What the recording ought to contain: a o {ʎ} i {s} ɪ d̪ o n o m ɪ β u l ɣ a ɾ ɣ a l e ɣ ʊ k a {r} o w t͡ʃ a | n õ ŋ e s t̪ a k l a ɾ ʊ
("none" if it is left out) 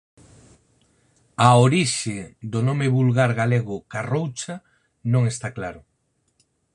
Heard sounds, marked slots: ɾ, ʃ, r

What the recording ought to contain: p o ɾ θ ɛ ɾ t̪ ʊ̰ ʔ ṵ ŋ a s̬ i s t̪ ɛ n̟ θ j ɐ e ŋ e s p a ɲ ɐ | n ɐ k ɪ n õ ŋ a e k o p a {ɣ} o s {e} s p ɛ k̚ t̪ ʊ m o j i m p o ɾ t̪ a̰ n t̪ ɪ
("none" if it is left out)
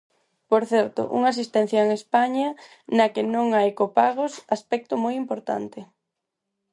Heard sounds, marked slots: ɣ, a

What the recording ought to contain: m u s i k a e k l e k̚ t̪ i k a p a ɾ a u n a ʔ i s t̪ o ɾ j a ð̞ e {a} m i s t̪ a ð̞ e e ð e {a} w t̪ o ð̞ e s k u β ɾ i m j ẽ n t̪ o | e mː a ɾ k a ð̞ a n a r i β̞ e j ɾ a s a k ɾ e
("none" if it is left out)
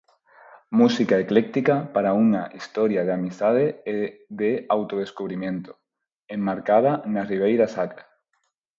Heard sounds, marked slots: a, a

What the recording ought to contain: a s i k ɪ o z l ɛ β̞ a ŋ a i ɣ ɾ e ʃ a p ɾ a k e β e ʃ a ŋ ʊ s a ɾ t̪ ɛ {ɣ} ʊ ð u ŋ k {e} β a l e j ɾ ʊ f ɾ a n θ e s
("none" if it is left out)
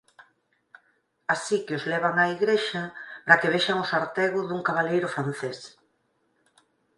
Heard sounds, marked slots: ɣ, a

